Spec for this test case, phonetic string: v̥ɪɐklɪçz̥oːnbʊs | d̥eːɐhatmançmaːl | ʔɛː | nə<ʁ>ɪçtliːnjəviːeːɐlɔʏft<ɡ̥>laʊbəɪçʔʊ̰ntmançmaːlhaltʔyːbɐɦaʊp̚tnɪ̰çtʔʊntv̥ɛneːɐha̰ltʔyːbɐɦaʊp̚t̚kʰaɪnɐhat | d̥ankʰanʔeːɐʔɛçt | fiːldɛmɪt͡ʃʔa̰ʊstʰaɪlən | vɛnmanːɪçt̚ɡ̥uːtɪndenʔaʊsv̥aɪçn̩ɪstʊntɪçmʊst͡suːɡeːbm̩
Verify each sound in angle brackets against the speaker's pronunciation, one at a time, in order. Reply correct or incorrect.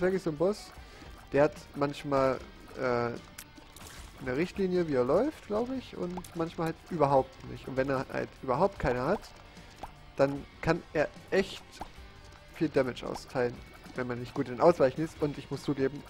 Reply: correct, correct

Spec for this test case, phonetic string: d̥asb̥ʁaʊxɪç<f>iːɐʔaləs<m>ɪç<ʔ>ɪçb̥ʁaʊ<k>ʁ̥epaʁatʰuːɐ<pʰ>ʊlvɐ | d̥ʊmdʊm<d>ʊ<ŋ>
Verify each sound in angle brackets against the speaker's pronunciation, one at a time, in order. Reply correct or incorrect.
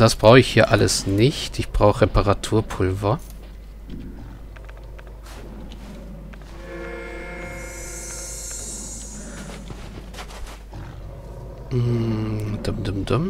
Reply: incorrect, incorrect, incorrect, incorrect, correct, correct, incorrect

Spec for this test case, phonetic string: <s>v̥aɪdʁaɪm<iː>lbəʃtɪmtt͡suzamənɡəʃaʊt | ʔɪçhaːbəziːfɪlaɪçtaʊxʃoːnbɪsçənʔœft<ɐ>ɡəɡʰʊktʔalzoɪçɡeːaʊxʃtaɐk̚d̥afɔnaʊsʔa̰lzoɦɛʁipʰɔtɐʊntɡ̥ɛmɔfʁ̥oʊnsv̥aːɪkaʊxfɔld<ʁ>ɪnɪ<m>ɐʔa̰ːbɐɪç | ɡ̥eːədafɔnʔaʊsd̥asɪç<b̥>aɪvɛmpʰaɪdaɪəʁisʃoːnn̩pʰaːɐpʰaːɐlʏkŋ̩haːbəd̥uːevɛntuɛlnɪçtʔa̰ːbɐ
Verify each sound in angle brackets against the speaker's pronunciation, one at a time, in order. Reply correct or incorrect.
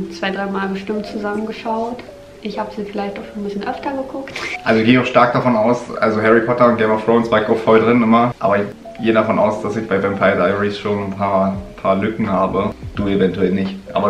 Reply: incorrect, incorrect, correct, correct, correct, correct

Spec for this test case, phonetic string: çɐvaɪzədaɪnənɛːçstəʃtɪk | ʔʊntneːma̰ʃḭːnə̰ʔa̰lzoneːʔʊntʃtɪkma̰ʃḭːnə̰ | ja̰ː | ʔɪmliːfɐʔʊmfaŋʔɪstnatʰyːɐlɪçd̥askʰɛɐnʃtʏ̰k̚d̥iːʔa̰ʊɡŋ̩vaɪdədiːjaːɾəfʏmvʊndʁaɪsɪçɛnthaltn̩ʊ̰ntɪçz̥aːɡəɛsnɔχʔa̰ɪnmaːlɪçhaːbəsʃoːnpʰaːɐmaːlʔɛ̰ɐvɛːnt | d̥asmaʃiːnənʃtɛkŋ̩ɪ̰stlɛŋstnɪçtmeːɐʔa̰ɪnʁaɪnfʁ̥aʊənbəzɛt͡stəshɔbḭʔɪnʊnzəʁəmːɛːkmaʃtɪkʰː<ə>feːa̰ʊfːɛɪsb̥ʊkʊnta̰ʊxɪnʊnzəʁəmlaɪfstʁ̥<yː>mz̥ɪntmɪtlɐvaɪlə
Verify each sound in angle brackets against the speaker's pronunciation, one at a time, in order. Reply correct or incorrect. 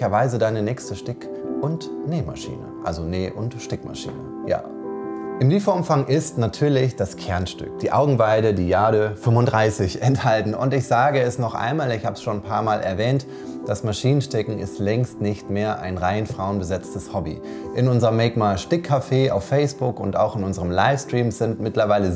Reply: incorrect, incorrect

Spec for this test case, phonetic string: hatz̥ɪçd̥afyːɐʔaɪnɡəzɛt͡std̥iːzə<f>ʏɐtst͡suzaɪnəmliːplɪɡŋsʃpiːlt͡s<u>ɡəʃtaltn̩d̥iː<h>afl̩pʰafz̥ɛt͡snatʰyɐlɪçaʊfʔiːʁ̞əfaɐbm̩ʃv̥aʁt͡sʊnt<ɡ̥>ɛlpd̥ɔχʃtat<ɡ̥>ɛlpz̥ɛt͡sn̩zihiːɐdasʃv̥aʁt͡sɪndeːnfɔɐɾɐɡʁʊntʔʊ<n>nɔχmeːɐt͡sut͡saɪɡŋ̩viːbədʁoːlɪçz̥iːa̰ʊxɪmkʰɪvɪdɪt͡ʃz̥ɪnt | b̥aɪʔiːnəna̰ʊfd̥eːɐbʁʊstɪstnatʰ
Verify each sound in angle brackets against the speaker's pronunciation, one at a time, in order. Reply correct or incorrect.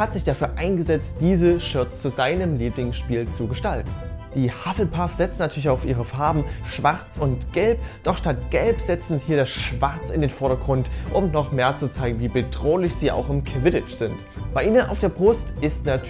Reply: incorrect, correct, correct, correct, correct, incorrect

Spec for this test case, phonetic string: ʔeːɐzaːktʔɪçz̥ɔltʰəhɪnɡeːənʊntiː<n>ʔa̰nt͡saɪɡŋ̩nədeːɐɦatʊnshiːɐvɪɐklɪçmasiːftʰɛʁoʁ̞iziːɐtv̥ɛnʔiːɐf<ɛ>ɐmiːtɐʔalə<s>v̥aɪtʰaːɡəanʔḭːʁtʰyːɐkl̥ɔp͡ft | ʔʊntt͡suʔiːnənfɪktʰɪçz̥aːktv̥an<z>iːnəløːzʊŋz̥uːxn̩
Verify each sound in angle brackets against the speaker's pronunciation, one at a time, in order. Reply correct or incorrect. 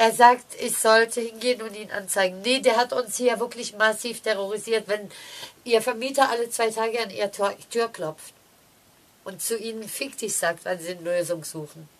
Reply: correct, correct, incorrect, correct

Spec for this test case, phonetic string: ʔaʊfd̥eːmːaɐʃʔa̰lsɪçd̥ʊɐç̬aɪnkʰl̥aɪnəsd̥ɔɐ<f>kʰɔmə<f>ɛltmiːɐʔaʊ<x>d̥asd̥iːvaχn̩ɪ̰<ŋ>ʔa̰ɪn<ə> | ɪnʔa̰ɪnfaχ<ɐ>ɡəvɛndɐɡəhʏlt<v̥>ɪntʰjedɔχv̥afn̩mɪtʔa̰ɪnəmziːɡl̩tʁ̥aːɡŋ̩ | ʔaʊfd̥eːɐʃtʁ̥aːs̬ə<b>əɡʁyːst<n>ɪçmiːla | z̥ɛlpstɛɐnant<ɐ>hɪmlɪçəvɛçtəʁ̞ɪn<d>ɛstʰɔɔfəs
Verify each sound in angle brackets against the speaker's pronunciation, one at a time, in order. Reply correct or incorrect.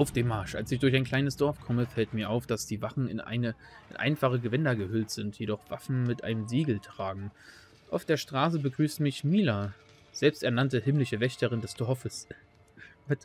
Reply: correct, correct, incorrect, incorrect, correct, incorrect, incorrect, correct, incorrect, incorrect, correct

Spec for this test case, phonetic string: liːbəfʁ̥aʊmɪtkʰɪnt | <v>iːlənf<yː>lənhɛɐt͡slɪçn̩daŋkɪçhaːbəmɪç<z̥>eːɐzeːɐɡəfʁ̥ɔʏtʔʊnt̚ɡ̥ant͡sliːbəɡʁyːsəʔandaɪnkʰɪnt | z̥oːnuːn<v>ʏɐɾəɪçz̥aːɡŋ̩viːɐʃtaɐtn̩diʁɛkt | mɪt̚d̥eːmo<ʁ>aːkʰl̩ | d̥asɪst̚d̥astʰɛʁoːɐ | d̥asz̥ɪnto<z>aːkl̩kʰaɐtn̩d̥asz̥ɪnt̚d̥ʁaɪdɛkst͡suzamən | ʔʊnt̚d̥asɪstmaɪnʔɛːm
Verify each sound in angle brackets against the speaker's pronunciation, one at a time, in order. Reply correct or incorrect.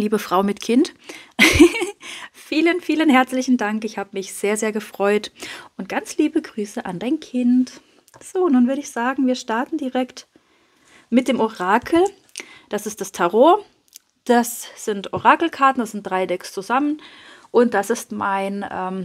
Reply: incorrect, incorrect, correct, correct, correct, incorrect

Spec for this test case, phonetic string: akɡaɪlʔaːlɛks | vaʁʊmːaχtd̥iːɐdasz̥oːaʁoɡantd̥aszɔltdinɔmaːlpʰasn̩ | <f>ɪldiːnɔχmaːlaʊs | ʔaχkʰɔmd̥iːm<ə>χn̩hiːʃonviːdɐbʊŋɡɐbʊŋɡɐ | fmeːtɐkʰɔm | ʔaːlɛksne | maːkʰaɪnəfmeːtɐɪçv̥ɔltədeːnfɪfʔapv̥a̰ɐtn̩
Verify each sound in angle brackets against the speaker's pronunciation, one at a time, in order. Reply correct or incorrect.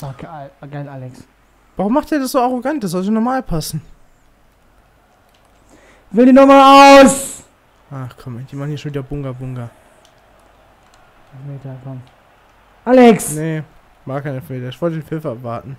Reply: incorrect, incorrect

